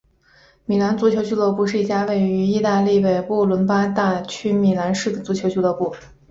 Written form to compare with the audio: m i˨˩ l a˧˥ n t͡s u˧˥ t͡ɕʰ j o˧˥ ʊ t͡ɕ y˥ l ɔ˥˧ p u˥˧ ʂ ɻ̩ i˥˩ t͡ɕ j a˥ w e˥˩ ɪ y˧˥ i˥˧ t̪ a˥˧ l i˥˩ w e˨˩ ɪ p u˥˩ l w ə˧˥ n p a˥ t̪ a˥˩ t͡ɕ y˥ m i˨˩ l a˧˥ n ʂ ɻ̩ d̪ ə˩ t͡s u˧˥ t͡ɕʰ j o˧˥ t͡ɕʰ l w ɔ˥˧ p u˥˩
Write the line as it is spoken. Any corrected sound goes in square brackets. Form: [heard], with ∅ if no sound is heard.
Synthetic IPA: m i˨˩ l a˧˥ n t͡s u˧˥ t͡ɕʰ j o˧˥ ʊ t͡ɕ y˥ l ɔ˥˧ p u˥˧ ʂ ɻ̩ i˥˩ t͡ɕ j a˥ w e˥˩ ɪ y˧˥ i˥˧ t̪ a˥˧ l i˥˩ w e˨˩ ɪ p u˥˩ l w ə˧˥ n p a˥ t̪ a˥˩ [t͡ɕʰ] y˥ m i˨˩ l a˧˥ n ʂ ɻ̩ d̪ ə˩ t͡s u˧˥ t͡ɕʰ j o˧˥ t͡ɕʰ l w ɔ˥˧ p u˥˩